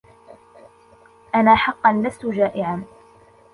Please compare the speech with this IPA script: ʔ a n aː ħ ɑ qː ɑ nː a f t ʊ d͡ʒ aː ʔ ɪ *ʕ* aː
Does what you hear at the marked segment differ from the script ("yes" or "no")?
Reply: no